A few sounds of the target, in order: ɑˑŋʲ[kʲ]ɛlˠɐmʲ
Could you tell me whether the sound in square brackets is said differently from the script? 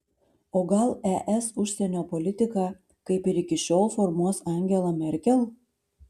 yes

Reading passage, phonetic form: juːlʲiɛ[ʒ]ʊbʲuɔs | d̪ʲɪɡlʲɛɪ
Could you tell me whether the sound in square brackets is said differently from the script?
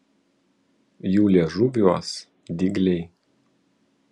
no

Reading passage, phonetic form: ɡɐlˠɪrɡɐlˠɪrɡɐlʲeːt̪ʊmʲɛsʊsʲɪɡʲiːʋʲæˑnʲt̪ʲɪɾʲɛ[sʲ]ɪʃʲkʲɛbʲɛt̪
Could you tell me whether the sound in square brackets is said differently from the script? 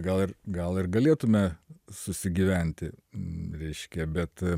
yes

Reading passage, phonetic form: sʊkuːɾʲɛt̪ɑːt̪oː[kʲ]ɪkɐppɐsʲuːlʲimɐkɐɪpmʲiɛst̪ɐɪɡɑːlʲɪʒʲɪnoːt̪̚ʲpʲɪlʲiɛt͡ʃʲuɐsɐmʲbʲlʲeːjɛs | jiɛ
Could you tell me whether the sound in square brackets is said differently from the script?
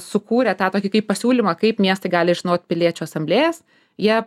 no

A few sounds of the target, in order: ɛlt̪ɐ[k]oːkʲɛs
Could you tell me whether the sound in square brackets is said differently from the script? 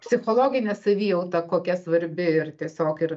no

